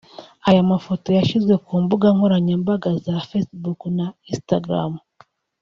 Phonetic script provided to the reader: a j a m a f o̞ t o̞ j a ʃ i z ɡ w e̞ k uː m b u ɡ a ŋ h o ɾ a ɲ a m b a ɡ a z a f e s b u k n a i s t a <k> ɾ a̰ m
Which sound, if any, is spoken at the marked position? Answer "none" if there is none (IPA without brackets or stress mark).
ɡ